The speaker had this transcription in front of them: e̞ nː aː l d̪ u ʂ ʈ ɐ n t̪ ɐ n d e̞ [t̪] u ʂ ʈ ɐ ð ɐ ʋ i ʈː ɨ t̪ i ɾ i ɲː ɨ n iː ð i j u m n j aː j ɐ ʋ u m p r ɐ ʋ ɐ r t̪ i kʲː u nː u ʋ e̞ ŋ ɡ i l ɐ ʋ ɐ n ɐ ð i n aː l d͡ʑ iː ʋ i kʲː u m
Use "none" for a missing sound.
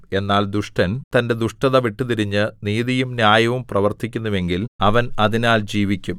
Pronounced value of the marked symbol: d̪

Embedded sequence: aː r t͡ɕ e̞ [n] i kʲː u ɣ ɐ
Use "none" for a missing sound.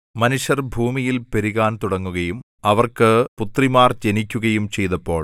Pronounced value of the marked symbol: n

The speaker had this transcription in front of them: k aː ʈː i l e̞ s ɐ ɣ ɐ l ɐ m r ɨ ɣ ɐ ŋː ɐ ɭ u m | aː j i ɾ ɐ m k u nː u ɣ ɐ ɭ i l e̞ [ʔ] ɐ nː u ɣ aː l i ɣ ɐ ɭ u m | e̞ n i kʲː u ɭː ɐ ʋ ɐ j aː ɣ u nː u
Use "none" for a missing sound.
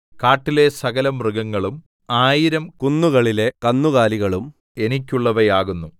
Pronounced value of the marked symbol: k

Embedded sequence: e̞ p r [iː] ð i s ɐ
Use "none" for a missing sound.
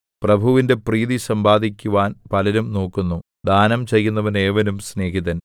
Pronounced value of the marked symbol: iː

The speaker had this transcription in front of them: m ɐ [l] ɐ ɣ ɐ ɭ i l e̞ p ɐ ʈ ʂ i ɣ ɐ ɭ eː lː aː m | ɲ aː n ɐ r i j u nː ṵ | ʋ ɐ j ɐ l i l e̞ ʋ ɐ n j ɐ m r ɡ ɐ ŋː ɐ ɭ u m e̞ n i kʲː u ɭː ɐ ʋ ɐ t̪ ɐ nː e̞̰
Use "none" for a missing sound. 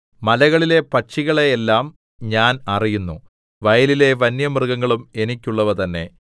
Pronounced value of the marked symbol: l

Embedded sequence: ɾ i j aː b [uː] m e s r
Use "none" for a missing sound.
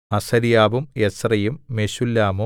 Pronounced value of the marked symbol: u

